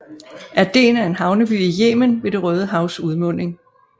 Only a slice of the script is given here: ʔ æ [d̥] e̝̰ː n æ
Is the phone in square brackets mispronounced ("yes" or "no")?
no